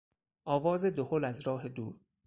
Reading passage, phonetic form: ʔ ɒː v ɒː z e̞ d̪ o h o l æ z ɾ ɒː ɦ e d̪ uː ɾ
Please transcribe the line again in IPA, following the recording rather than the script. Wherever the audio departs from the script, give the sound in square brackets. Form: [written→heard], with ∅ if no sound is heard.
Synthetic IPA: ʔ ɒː v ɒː z e̞ d̪ o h o l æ z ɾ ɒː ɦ e d̪ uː ɾ